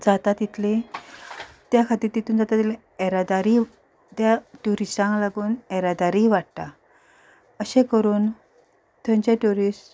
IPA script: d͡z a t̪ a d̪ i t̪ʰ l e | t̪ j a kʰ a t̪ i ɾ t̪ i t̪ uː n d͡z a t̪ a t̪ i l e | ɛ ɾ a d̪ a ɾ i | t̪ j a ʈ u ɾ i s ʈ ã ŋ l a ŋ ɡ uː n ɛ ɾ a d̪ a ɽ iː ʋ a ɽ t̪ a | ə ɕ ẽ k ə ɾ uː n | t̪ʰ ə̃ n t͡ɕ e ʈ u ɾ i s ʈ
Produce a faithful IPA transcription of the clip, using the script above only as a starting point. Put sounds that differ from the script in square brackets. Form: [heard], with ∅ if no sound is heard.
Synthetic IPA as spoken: d͡z a t̪ a [t̪] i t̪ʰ l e | t̪ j a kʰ a t̪ i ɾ t̪ i t̪ uː n d͡z a t̪ a t̪ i l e | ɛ ɾ a d̪ a ɾ i | t̪ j a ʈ u ɾ i s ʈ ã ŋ l a [∅] ɡ uː n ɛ ɾ a d̪ a [ɾ] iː ʋ a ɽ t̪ a | ə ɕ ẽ k ə ɾ uː n | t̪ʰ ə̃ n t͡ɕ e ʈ u ɾ i s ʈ